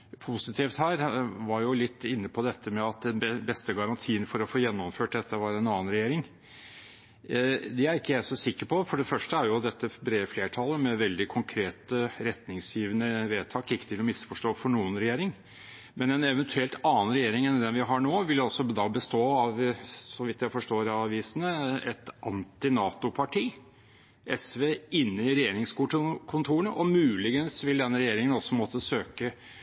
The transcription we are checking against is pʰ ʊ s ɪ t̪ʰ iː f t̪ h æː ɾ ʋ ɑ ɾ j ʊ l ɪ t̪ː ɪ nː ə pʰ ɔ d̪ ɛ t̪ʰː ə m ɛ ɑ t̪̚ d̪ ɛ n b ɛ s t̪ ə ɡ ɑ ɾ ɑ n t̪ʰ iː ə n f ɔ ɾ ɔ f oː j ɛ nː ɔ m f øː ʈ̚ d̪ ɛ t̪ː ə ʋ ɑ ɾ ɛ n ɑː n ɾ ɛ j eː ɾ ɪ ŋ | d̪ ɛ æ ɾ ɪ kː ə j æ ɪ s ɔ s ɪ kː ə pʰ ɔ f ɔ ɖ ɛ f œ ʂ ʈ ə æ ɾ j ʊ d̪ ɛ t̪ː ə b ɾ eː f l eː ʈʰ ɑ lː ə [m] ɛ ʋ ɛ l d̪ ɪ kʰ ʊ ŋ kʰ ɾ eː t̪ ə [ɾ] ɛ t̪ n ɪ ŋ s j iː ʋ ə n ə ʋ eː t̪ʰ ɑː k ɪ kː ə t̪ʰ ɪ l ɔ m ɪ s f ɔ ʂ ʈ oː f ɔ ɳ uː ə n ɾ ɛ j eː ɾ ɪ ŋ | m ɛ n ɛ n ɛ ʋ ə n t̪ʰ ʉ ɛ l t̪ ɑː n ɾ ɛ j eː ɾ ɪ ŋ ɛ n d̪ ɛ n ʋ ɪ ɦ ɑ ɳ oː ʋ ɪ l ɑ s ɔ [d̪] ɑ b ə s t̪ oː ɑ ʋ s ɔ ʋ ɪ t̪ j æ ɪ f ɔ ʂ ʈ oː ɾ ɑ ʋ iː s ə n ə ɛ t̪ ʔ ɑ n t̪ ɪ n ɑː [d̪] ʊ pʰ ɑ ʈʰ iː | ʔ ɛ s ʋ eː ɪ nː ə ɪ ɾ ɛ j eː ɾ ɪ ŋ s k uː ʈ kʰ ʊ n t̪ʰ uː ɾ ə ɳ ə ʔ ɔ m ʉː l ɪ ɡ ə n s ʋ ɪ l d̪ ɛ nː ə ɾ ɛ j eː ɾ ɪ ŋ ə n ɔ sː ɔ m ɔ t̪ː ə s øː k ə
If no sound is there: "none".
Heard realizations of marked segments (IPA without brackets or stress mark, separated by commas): m, ɾ, d̪, t̪